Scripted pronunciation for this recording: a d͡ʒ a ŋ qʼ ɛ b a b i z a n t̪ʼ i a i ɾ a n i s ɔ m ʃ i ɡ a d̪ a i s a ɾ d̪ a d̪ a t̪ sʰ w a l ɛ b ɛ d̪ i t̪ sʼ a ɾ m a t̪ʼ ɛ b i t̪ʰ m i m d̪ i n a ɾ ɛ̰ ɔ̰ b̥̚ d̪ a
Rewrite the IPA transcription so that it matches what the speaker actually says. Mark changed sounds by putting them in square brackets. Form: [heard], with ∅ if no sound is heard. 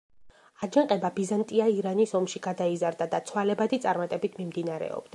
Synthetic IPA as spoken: a d͡ʒ a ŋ qʼ ɛ b a b i z a n t̪ʼ i a i ɾ a n i s ɔ m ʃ i ɡ a d̪ a i [z] a ɾ d̪ a d̪ a t̪ sʰ w a l ɛ b [a] d̪ i t̪ sʼ a ɾ m a t̪ʼ ɛ b i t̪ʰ m i m d̪ i n a ɾ ɛ̰ ɔ̰ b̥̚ d̪ a